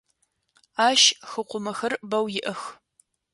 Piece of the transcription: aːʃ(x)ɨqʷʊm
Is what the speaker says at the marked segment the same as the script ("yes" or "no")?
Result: yes